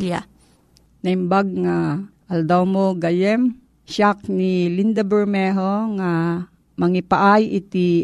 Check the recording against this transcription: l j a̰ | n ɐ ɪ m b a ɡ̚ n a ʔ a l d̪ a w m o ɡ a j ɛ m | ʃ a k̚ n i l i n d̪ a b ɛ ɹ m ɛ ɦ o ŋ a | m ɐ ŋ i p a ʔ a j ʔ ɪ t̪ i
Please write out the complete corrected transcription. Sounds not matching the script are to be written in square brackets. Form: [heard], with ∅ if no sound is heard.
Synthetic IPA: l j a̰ | n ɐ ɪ m b a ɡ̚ [ŋ] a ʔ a l d̪ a w m o ɡ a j ɛ m | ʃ a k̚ n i l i n d̪ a b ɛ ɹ m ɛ ɦ o ŋ a | m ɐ ŋ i p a ʔ a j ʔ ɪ t̪ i